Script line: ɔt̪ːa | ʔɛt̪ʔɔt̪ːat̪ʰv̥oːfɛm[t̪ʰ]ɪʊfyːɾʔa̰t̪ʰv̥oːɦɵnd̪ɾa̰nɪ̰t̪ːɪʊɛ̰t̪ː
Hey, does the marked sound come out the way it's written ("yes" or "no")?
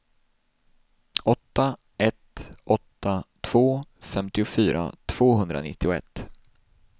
no